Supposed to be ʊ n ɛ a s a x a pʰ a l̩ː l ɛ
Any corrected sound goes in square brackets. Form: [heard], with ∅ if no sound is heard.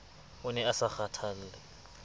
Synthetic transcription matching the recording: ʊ n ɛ a s a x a [tʰ] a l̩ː l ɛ